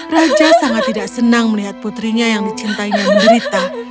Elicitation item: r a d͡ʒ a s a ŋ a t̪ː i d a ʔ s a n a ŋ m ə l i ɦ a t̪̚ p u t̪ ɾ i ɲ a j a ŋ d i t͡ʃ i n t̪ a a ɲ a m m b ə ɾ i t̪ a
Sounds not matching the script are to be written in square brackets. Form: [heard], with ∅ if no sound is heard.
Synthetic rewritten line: r a d͡ʒ a s a ŋ a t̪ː i d a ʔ s [ə] n a ŋ m ə l i ɦ a t̪̚ p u t̪ ɾ i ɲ a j a ŋ d i t͡ʃ i n t̪ a [i] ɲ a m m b ə ɾ i t̪ a